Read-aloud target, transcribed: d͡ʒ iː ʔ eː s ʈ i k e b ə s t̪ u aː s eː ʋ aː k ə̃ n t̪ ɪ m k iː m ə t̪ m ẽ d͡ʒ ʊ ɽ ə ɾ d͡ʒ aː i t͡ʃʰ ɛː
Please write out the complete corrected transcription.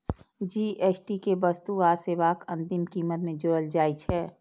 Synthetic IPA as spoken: d͡ʒ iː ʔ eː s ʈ i k e b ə s t̪ u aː s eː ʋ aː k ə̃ n t̪ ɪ m k iː m ə t̪ m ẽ d͡ʒ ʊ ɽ ə l d͡ʒ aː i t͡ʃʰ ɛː